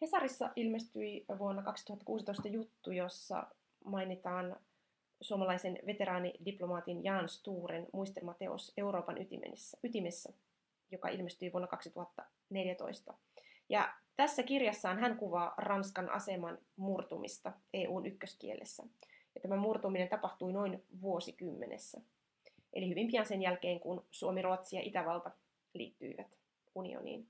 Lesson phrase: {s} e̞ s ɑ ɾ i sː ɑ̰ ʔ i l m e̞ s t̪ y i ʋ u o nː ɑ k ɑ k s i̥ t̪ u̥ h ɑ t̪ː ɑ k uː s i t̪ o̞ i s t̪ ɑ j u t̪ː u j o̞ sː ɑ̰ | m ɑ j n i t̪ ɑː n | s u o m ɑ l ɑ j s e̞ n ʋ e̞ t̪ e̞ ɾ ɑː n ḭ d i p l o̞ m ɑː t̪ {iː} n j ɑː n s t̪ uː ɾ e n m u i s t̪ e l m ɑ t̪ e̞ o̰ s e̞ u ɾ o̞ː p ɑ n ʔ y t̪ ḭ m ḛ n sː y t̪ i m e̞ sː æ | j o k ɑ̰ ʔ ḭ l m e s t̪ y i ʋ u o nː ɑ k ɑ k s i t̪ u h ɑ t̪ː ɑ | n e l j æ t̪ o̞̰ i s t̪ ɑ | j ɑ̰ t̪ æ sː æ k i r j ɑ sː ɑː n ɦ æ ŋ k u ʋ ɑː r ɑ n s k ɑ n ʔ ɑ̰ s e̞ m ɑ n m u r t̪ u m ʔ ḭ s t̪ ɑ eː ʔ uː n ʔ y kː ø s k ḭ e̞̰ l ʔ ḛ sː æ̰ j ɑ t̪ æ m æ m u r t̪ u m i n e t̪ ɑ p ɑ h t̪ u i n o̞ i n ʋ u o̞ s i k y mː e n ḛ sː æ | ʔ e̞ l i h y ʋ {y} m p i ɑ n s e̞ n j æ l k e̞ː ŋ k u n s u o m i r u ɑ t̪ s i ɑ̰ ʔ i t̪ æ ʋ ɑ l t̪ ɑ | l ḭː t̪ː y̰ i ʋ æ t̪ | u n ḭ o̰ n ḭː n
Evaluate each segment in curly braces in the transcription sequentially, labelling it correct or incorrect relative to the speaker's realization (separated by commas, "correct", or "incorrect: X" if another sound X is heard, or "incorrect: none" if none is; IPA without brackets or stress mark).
incorrect: h, incorrect: i, incorrect: i